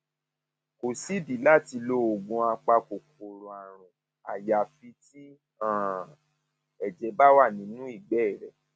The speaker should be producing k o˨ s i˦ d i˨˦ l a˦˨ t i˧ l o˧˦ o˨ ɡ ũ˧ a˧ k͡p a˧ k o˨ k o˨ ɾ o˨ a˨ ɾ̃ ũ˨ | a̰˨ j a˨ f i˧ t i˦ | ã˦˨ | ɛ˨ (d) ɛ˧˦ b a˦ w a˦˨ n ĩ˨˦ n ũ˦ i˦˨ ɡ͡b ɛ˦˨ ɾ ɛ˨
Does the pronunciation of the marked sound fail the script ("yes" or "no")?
yes